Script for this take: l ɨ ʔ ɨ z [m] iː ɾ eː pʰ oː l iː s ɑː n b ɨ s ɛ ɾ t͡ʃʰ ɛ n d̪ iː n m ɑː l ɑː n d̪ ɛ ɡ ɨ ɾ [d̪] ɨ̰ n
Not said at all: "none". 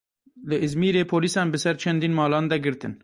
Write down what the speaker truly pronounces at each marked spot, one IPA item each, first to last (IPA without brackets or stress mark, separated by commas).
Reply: m, t̪